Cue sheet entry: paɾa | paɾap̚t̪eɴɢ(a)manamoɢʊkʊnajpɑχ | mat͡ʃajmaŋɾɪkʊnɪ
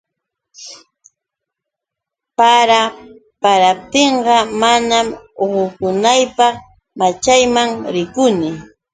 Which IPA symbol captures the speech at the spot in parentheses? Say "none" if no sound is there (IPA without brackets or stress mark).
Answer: ɑ